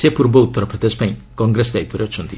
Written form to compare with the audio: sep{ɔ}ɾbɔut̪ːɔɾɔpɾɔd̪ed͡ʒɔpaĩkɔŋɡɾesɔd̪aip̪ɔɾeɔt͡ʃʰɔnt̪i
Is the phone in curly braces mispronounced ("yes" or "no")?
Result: yes